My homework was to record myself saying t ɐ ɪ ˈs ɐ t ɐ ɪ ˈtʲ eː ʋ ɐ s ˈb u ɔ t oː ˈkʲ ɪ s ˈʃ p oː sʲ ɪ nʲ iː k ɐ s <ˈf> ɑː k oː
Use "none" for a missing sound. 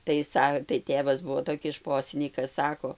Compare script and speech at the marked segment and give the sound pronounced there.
s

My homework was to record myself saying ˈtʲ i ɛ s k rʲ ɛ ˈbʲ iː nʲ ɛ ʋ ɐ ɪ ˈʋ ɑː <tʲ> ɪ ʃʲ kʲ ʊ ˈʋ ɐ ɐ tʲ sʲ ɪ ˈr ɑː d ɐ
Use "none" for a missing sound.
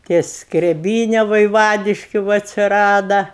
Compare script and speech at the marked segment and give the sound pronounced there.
dʲ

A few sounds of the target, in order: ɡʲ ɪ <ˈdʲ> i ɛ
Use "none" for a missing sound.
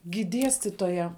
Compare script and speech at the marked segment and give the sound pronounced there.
dʲ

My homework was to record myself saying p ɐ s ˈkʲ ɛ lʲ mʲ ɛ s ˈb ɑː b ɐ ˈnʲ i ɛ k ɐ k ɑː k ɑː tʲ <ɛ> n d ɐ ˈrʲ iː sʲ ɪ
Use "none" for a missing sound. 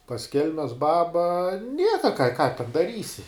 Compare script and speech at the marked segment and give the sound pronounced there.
ɛ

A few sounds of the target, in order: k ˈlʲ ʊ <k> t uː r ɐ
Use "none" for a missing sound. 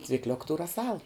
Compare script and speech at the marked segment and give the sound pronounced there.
k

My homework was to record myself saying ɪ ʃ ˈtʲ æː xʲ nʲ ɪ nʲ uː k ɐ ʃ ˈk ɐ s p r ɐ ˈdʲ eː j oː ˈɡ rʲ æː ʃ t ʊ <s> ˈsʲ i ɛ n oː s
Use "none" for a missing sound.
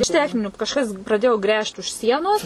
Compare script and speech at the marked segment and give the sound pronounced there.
ʃ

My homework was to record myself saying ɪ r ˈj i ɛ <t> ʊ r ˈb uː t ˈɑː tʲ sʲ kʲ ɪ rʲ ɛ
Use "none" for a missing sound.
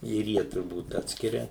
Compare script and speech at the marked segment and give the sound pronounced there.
t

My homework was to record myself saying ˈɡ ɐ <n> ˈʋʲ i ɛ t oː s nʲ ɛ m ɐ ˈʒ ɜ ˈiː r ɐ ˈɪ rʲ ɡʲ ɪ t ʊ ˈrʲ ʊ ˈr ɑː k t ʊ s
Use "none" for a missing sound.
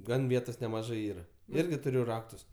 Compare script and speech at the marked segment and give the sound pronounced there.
n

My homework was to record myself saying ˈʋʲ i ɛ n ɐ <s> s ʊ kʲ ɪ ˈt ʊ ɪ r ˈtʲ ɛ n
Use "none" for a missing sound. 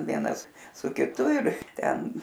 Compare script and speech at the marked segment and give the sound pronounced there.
s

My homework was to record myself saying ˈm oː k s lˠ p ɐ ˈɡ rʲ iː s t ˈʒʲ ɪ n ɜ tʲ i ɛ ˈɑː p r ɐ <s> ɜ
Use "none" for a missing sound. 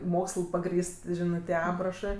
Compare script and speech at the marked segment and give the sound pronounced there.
ʃ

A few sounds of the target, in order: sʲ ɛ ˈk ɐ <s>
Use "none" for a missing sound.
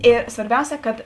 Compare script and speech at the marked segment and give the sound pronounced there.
t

